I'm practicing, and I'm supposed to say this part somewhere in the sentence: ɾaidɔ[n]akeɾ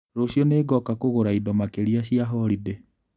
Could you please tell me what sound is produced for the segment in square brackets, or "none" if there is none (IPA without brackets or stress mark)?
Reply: m